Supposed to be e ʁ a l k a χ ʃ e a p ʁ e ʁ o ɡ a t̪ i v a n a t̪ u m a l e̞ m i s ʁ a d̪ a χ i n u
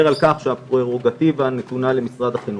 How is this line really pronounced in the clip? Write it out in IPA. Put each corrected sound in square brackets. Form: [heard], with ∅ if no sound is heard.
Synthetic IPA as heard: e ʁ a l k a χ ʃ e a p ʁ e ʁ o ɡ a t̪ i v a n [e] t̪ u [n] a l e̞ m i s ʁ a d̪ a χ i n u